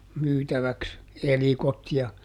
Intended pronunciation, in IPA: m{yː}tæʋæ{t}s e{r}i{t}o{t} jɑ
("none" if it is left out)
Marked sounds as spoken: yː, k, l, k, t

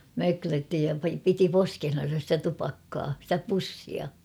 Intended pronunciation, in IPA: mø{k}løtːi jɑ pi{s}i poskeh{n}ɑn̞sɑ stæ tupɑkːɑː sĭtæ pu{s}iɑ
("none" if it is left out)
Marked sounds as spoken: k, t, n, sː

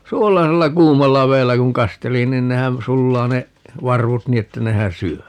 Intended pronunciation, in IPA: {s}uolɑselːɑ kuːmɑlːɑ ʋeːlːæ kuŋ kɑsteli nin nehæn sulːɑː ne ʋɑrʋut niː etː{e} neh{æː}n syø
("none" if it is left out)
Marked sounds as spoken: s, æ, æ

